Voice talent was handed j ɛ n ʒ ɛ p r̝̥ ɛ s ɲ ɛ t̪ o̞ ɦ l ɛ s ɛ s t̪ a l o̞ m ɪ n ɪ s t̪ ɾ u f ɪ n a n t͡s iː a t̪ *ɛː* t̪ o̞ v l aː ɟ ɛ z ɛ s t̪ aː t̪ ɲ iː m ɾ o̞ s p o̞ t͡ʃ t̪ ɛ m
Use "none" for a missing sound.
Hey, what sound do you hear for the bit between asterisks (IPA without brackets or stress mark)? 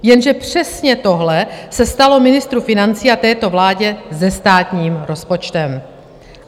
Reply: ɛː